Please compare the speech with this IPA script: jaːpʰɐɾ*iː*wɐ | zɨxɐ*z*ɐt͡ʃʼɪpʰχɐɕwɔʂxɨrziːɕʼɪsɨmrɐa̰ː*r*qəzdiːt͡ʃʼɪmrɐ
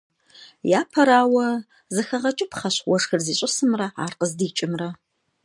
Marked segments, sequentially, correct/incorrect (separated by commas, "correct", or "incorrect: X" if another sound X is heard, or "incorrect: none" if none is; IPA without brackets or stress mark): incorrect: aː, incorrect: ʁ, correct